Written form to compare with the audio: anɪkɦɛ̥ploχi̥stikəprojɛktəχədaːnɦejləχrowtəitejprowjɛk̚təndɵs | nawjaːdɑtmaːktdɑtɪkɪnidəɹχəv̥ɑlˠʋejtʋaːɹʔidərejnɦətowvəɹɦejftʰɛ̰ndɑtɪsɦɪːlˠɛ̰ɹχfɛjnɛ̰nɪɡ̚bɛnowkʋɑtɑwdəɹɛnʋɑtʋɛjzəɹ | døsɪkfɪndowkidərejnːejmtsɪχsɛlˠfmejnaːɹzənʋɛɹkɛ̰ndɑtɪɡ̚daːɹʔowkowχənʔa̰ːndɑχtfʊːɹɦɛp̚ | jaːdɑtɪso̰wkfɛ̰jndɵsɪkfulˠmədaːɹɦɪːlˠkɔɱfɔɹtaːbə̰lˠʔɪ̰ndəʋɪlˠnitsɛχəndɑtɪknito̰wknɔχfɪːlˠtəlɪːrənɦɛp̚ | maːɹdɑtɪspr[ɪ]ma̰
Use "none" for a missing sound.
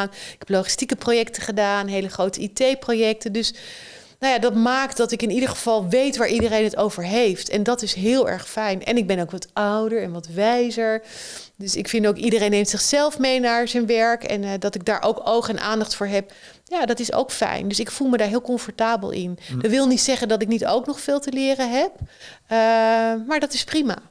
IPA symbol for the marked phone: i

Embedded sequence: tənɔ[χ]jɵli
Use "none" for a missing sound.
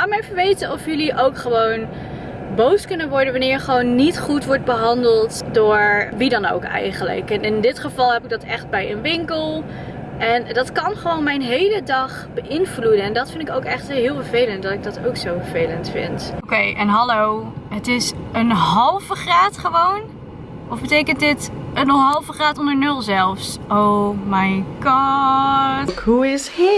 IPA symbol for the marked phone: f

